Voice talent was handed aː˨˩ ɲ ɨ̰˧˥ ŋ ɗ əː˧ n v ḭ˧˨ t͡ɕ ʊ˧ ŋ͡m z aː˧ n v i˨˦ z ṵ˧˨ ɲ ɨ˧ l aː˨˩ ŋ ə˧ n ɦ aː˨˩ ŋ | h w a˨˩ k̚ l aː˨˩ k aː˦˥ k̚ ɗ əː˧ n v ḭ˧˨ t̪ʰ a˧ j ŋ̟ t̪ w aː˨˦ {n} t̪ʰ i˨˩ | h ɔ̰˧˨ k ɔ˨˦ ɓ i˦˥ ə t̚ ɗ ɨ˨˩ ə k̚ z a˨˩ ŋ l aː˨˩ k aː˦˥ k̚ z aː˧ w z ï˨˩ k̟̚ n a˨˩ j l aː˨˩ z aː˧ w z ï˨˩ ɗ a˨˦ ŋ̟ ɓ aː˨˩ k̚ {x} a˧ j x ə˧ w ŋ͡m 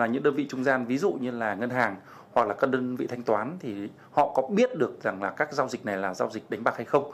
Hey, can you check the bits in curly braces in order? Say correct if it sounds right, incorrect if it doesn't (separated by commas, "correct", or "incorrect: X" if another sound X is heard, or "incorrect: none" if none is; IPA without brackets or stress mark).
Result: correct, incorrect: h